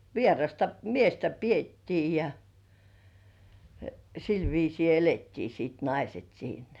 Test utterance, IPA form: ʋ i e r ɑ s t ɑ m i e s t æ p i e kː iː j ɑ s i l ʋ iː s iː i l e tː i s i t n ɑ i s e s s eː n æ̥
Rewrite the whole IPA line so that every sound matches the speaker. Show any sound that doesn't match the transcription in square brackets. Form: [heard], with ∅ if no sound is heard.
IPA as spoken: ʋ i e r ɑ s t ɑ m i e s t æ p i e [tː] iː j ɑ s i l ʋ iː s iː [e] l e tː [iː] s [iː] t n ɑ i s e [t] s [iː] n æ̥